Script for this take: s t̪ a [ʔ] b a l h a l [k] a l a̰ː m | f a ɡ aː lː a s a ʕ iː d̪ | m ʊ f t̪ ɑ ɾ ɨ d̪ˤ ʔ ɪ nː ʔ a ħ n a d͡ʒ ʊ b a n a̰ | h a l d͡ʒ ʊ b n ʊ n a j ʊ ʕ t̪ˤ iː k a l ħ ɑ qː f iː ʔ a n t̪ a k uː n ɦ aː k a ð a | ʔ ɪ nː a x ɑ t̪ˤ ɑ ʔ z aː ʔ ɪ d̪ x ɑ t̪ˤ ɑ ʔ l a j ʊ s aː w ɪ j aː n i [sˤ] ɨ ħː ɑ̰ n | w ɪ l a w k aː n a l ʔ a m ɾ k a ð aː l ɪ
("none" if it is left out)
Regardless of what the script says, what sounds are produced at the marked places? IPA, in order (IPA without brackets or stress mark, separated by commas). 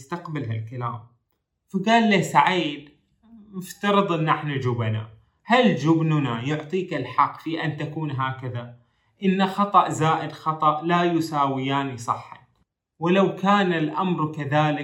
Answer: q, k, sˤ